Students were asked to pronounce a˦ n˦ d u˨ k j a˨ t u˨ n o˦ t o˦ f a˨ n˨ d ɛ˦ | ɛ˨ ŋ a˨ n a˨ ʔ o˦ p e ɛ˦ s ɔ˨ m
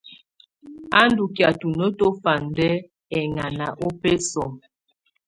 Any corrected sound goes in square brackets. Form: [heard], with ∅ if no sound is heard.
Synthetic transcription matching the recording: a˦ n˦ d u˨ k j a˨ t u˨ n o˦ t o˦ f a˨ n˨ d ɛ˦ | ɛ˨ ŋ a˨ n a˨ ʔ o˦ p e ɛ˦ s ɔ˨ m